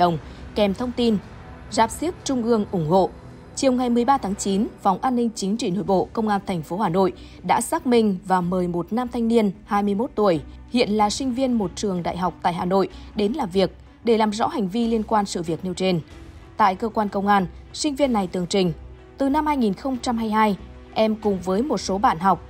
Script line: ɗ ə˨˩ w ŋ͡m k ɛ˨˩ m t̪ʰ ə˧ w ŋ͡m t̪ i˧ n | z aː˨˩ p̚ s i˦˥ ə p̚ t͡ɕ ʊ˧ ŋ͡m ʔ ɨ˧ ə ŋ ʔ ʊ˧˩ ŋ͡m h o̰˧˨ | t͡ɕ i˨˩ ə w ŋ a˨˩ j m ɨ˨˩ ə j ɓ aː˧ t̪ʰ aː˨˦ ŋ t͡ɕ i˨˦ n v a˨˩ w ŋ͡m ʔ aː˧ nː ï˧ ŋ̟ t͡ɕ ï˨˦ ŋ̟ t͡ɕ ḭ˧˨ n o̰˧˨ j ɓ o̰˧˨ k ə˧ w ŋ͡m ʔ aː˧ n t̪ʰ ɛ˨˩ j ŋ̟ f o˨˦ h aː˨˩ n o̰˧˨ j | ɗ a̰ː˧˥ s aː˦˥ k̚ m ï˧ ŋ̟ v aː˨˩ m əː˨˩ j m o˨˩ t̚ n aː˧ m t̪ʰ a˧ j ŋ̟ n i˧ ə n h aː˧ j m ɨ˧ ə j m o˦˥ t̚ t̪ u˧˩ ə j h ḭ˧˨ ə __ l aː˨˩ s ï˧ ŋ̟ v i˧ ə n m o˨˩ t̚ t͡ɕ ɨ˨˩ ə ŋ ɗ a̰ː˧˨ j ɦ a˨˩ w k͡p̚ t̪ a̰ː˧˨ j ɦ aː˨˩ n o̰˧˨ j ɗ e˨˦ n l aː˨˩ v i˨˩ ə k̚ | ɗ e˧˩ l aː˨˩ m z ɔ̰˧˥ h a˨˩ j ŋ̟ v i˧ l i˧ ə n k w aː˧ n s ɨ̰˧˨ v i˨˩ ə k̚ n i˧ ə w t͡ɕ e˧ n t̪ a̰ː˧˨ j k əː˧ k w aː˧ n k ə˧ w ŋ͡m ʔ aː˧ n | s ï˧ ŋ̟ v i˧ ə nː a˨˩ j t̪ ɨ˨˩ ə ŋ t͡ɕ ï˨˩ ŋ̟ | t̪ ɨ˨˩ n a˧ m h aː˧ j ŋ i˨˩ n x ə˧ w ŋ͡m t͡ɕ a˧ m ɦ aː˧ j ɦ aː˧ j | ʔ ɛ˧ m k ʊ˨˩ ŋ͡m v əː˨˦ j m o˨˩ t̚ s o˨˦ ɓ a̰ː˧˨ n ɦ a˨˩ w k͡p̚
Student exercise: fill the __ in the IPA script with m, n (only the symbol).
n